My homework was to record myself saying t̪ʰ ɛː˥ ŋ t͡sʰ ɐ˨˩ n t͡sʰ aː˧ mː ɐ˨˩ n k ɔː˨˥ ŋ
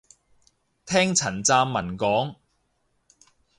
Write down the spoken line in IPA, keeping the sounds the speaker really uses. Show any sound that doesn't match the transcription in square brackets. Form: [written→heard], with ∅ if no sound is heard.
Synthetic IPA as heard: t̪ʰ ɛː˥ ŋ t͡sʰ ɐ˨˩ n [t͡sʰ→t͡s] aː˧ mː ɐ˨˩ n k ɔː˨˥ ŋ